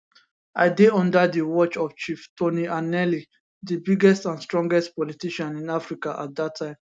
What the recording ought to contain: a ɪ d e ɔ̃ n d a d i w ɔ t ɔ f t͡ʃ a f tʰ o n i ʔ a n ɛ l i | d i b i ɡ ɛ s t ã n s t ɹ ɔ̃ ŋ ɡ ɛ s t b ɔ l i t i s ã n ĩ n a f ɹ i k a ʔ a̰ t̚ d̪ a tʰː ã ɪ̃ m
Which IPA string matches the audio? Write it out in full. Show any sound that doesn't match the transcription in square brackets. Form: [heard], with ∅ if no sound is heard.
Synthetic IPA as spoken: a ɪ d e ɔ̃ n d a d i w ɔ [t͡ʃ] ɔ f t͡ʃ [i] f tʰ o n i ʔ a n ɛ l i | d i b i ɡ ɛ s t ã n s t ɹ ɔ̃ ŋ ɡ ɛ s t [p] ɔ l i t i [ʃ] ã n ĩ n a f ɹ i k a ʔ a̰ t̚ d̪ a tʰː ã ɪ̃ m

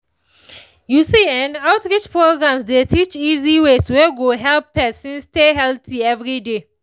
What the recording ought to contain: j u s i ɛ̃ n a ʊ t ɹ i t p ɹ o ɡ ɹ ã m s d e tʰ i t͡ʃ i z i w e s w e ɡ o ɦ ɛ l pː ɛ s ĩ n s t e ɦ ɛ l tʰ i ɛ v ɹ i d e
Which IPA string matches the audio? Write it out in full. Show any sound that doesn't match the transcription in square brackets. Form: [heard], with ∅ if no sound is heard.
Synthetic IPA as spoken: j u s i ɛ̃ n a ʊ t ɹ i [t͡ʃ] p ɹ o ɡ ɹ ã m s d e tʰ i t͡ʃ i z i w e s w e ɡ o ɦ ɛ l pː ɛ s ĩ n s t e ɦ ɛ l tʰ i ɛ v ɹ i d e

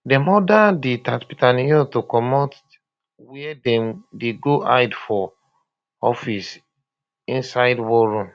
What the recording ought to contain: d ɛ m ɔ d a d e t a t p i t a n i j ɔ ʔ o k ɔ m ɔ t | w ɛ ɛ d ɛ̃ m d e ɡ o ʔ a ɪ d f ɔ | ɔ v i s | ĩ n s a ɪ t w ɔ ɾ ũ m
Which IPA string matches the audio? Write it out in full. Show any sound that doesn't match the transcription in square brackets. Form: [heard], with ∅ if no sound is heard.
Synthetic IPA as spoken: d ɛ m ɔ d a d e t a t p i t a n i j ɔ [t] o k ɔ m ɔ t | w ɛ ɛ d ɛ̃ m d e ɡ o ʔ a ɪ d f ɔ | ɔ [f] i s | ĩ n s a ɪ [d] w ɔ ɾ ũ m

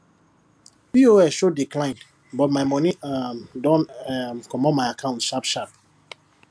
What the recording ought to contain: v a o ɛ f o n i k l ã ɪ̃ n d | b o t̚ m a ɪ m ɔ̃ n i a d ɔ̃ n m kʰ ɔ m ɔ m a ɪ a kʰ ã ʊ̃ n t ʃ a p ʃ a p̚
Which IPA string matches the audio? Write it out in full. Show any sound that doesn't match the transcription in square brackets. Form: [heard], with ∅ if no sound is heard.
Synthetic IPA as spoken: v [i] o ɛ [ʃ] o [d] i k l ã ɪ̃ n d | b [ɔ] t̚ m a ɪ m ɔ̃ n i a d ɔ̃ n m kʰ ɔ m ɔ m a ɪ a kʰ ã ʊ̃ n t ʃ a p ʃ a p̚

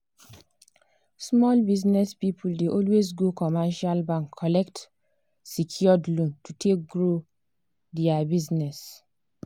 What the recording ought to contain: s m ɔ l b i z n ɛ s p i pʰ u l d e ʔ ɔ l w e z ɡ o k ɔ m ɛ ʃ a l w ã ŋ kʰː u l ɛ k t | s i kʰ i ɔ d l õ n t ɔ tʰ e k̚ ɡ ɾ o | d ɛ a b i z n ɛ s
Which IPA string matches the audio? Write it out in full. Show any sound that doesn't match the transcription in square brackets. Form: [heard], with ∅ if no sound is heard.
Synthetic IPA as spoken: s m ɔ l b i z n ɛ s p i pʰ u l d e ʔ ɔ l w e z ɡ o k ɔ m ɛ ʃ a l [b] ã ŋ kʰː [ɔ] l ɛ k t | s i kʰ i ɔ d l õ n t [u] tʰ e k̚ ɡ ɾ o | d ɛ a b i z n ɛ s

